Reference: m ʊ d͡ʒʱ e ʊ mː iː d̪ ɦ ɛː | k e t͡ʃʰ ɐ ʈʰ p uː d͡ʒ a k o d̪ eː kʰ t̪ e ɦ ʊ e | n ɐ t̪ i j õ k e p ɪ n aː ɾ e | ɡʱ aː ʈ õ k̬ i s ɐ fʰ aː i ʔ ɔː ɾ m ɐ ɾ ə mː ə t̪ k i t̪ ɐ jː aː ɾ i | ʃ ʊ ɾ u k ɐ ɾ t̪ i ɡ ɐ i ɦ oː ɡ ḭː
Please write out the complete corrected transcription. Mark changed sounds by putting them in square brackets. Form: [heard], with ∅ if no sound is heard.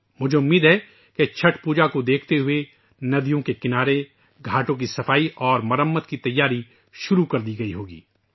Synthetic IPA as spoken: m ʊ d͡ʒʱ e ʊ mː iː d̪ ɦ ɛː | k e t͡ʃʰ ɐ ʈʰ p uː d͡ʒ a k o d̪ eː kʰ t̪ e ɦ ʊ e | n ɐ [d̪] i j õ k e [k] ɪ n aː ɾ e | ɡʱ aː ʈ õ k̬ i s ɐ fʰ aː i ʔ ɔː ɾ m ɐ ɾ ə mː ə t̪ k i t̪ ɐ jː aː ɾ i | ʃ ʊ ɾ u k ɐ ɾ [d̪] i ɡ ɐ i ɦ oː ɡ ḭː